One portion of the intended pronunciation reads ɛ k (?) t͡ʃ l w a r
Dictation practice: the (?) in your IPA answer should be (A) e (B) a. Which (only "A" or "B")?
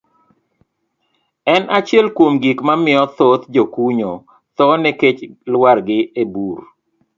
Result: A